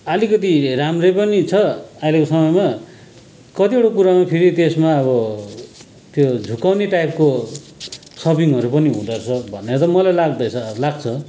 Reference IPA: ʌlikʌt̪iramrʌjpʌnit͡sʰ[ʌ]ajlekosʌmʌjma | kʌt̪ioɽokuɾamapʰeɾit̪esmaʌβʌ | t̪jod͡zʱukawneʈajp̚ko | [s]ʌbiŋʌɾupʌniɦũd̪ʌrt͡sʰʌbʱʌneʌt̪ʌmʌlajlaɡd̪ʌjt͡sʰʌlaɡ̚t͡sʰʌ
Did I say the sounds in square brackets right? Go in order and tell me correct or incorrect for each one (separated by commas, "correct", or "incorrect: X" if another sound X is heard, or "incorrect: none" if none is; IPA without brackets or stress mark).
correct, correct